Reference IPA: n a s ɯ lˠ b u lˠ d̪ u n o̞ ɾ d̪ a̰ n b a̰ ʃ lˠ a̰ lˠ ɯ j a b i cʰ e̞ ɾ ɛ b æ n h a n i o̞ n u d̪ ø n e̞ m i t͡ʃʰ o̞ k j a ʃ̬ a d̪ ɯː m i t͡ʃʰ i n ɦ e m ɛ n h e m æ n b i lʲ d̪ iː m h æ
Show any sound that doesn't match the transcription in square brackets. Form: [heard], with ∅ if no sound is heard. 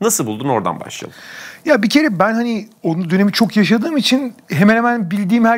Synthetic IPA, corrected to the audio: n a s ɯ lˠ b u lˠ d̪ u n o̞ ɾ d̪ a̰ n b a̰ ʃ lˠ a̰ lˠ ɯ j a b i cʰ e̞ ɾ ɛ b æ n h a n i o̞ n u d̪ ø n e̞ m i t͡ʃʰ o̞ k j a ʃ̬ a d̪ ɯː m i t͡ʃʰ i n ɦ e m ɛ n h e m æ n b i lʲ d̪ iː m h æ